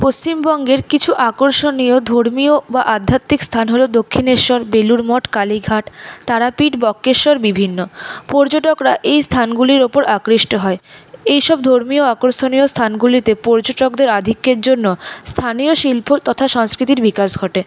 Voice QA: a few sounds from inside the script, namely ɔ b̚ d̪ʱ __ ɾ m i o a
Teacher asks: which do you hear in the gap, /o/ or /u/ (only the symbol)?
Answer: o